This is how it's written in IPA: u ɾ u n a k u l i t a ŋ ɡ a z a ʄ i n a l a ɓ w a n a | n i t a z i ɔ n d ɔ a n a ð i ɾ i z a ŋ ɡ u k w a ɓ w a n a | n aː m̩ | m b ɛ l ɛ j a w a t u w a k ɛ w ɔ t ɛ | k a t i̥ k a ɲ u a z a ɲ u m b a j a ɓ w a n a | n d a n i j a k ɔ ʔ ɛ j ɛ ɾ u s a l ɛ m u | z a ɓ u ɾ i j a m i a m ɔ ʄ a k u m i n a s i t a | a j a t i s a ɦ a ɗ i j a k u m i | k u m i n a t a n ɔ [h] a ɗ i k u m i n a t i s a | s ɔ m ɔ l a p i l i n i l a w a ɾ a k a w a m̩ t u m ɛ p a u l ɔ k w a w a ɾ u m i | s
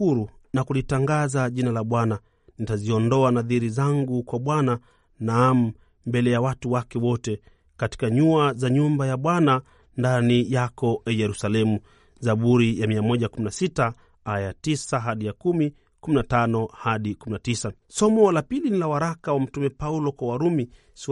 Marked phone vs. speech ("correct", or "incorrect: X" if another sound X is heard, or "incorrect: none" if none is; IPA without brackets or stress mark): correct